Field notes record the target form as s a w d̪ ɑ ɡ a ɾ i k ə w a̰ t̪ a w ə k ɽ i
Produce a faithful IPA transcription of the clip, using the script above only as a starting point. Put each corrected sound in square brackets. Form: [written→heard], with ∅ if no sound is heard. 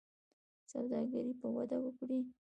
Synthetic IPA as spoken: s a w d̪ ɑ ɡ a ɾ i [k→p] ə w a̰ [t̪→d̪] a w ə k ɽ i